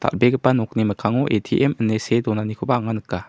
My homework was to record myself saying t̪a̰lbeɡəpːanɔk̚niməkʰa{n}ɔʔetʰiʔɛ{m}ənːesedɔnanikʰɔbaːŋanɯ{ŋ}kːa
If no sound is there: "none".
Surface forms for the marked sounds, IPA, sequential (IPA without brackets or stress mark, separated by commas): ŋ, m, none